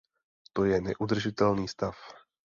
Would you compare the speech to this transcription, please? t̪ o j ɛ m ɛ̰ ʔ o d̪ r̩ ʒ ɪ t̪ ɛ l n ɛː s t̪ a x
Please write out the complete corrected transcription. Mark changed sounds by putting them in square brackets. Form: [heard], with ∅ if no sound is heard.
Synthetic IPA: t̪ o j ɛ [n] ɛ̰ ʔ [u] d̪ r̩ ʒ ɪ t̪ ɛ l n [iː] s t̪ a [f]